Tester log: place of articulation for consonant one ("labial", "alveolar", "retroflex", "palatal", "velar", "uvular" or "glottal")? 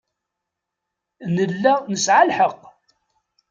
alveolar